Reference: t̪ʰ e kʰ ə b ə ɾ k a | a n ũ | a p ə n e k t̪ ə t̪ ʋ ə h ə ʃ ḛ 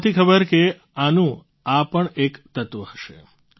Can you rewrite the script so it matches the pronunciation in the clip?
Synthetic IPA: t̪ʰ i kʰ ə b ə ɾ k e | a n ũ | a p ə ɳ e k t̪ ə t̪ ʋ ə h ə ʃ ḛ